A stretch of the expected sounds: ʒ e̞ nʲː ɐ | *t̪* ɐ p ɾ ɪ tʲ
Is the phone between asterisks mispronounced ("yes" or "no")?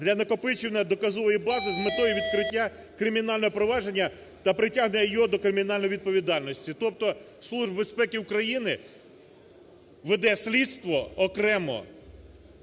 no